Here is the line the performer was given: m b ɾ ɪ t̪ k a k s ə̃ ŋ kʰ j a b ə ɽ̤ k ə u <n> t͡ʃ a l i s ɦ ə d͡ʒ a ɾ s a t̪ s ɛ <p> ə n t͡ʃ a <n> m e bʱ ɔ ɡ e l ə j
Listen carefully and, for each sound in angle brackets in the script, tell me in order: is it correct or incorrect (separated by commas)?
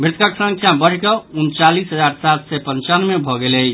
correct, correct, correct